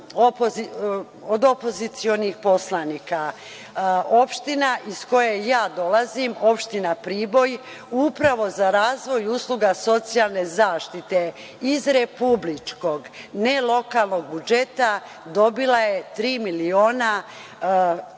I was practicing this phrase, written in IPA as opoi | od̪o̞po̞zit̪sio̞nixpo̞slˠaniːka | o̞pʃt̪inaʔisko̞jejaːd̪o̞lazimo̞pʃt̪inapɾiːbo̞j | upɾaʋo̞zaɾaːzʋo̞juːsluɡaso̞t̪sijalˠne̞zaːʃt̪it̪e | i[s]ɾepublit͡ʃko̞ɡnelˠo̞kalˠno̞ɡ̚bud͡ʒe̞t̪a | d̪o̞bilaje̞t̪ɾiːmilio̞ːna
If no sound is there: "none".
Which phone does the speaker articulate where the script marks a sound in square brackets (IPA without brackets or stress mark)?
z